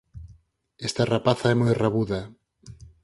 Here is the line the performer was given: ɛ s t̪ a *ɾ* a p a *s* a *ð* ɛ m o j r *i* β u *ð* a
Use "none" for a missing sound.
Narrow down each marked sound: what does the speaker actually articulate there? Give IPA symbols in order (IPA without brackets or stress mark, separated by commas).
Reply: r, θ, none, a, ð